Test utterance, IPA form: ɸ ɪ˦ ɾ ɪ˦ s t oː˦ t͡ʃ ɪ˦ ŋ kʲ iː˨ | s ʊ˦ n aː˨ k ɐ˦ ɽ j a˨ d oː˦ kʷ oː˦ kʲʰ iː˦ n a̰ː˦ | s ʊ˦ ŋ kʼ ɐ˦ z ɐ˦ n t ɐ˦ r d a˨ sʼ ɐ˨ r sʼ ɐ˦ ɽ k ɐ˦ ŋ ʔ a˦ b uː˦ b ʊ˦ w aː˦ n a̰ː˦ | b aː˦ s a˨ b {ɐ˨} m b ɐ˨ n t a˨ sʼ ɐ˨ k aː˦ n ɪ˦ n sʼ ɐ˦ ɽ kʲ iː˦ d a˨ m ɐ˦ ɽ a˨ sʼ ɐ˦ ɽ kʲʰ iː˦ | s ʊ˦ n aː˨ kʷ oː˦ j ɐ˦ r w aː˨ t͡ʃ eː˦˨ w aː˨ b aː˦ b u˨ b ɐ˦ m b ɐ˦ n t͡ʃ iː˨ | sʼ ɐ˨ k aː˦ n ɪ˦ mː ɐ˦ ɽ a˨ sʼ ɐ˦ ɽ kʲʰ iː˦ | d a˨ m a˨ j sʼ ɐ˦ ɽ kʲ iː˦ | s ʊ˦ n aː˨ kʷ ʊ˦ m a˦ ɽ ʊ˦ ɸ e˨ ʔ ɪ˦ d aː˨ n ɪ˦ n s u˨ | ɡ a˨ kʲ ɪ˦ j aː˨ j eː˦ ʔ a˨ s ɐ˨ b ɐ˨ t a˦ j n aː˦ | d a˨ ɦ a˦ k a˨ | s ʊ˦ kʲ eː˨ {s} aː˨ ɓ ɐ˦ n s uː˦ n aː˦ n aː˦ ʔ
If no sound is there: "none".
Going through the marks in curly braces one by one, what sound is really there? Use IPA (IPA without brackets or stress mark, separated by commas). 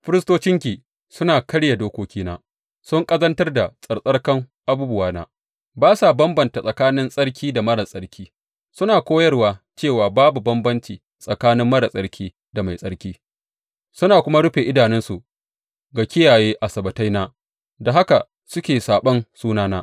ɐ˦, s